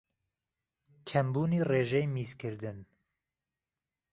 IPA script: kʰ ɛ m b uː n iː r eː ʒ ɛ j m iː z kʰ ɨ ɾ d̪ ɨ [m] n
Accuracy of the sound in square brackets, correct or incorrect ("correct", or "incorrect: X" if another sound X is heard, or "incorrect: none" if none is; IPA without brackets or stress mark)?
incorrect: none